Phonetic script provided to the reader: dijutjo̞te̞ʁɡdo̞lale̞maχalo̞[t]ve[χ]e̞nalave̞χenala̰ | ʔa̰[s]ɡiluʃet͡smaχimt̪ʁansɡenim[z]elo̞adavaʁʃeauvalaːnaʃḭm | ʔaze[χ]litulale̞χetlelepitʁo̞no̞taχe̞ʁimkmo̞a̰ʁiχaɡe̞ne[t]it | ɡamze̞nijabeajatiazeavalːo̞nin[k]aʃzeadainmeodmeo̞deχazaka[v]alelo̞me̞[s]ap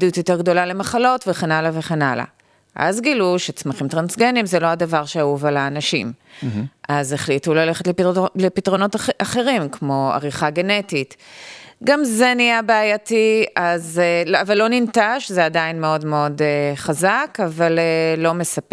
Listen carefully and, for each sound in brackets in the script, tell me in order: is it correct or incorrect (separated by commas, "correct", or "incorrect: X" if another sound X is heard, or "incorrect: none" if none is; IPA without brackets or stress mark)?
correct, correct, incorrect: z, correct, correct, correct, incorrect: t, correct, correct